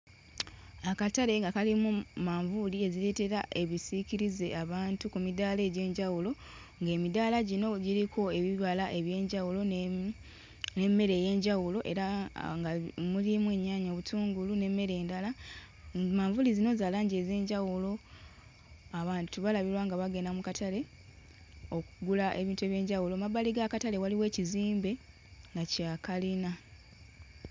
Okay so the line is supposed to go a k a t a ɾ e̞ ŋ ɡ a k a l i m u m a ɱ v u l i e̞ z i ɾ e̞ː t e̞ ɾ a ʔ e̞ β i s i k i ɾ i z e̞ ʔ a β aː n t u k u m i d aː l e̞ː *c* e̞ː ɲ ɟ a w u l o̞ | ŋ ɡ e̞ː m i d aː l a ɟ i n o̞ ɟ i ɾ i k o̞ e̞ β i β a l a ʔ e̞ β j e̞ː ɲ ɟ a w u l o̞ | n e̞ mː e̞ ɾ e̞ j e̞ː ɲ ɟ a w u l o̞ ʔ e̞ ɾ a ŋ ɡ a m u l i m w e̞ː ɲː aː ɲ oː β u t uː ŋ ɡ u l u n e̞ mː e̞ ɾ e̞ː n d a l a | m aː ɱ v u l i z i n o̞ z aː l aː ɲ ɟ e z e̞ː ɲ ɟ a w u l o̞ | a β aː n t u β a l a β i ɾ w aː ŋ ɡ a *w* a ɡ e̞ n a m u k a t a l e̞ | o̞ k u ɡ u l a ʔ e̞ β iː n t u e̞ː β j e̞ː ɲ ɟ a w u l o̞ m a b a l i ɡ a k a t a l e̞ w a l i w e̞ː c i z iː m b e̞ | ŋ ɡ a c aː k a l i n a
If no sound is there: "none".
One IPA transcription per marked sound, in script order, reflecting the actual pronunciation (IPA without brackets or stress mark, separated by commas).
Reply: ɟ, β